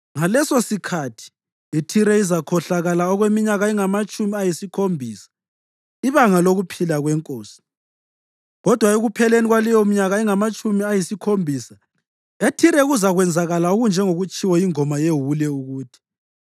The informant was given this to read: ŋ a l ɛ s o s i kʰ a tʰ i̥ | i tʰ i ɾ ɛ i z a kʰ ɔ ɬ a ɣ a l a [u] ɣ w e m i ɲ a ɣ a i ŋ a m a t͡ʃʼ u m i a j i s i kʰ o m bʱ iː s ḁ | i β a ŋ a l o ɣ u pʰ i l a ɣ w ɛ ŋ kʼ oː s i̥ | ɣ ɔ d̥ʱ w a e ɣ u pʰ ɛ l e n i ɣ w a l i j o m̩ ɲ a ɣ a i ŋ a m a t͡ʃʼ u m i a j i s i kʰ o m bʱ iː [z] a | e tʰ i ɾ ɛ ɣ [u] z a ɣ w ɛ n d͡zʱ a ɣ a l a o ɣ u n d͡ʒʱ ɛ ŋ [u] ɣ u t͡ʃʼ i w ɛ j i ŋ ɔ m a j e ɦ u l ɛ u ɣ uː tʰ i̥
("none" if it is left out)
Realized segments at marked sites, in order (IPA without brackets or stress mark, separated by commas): ɔ, s, u, o